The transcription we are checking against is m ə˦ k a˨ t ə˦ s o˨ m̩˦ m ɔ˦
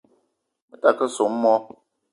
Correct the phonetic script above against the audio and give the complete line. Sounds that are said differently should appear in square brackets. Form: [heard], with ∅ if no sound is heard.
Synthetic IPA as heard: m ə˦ [t] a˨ [k] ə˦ s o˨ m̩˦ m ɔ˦